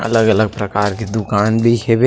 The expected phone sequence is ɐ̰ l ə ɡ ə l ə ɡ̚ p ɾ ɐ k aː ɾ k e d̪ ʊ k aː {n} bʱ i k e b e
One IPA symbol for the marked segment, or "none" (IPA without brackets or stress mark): n